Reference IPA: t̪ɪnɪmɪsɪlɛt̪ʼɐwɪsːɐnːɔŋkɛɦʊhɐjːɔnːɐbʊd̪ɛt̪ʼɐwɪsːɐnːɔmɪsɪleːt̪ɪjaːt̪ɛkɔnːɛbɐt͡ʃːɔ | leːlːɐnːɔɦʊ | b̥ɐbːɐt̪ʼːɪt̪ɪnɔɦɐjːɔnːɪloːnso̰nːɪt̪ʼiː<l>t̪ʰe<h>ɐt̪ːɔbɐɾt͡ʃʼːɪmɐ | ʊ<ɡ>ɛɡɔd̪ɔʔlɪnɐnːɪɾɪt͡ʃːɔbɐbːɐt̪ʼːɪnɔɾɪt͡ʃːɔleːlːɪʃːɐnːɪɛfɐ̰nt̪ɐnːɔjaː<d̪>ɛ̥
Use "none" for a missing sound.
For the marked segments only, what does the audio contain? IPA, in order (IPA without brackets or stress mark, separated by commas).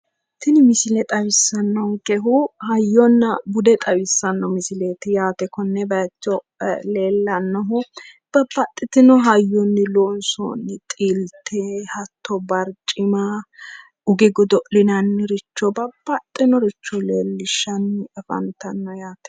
l, h, ɡ, t̪